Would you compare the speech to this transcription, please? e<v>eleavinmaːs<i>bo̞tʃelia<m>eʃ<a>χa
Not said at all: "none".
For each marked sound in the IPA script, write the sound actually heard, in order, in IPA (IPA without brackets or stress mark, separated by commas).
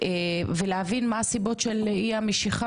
v, i, m, i